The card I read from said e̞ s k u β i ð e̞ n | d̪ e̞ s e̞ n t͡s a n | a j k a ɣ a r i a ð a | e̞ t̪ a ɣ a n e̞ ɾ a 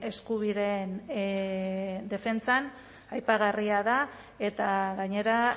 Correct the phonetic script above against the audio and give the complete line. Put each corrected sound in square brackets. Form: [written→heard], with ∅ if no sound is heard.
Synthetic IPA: e̞ s k u β i ð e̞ n | d̪ e̞ [s→f] e̞ n t͡s a n | a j [k→p] a ɣ a r i a ð a | e̞ t̪ a ɣ a [n→ɲ] e̞ ɾ a